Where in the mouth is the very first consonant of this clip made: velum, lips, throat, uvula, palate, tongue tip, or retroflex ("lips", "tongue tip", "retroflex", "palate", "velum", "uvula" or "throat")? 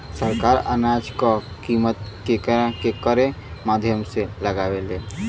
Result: tongue tip